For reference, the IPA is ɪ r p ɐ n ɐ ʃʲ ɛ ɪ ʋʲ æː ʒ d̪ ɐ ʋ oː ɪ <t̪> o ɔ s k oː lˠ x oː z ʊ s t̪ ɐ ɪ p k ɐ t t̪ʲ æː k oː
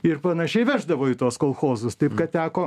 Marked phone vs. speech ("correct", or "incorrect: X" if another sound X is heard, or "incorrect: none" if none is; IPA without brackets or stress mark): correct